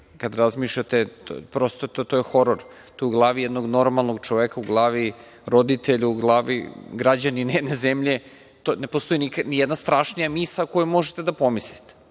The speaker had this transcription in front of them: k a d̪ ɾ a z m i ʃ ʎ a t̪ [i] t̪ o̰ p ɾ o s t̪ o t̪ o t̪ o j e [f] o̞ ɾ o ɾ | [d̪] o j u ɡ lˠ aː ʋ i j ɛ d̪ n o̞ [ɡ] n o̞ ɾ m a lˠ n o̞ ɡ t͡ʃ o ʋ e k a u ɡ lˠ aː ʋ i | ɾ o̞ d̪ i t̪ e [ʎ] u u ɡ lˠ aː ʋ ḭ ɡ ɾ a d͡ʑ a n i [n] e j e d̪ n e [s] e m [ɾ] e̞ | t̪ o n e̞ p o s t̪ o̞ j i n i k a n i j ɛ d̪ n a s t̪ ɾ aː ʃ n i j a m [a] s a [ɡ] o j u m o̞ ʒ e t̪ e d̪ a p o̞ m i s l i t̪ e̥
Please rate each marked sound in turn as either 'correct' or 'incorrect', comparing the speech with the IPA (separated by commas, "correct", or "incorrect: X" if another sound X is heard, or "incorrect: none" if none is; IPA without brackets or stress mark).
incorrect: e, incorrect: x, incorrect: t̪, correct, correct, correct, incorrect: z, incorrect: ʎ, incorrect: i, incorrect: k